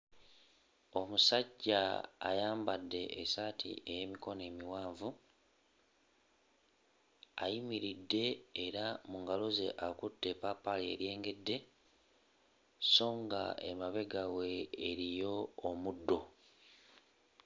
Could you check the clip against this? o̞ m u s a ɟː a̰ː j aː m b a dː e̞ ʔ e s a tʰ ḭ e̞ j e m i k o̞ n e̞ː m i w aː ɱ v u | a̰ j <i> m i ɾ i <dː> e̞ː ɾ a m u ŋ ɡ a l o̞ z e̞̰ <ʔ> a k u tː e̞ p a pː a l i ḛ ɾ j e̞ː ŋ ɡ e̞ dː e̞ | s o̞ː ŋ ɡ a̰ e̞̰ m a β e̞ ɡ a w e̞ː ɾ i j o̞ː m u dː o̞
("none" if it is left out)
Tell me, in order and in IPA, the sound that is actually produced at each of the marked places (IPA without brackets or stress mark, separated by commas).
i, dː, ʔ